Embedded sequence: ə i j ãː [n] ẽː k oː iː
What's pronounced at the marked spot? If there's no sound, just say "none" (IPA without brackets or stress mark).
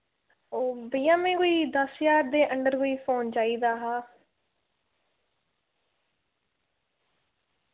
m